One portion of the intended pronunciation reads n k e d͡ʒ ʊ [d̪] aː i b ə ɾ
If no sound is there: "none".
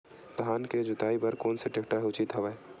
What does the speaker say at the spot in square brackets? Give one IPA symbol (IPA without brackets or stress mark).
t̪